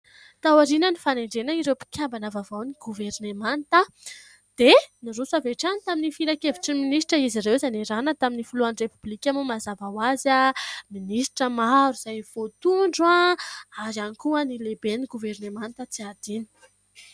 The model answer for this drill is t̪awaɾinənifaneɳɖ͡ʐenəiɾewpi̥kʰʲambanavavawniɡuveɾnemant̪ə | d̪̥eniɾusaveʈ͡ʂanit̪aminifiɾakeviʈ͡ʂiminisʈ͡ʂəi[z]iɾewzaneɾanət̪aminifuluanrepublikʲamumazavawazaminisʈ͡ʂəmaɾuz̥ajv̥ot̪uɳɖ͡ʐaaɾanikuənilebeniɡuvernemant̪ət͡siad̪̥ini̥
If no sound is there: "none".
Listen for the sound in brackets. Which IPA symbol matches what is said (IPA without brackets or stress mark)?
z